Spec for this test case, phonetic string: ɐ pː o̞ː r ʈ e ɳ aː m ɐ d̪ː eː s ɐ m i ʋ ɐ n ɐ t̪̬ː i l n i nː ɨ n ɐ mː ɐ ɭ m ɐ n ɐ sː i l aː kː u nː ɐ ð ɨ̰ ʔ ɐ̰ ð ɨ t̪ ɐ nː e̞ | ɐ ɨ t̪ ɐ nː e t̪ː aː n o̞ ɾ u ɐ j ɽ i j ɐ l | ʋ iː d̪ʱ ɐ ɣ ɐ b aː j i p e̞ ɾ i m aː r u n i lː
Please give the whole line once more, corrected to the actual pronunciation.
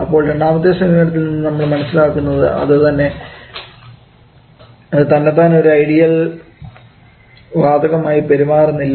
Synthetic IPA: ɐ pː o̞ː ɭ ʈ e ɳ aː m ɐ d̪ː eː s ɐ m i ʋ ɐ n ɐ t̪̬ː i l n i nː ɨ n ɐ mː ɐ ɭ m ɐ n ɐ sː i l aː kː u nː ɐ ð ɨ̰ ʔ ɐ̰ ð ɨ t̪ ɐ nː e̞ | ɐ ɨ t̪ ɐ nː e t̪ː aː n o̞ ɾ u ɐ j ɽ i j ɐ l | ʋ aː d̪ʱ ɐ ɣ ɐ m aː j i p e̞ ɾ i m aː r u nː i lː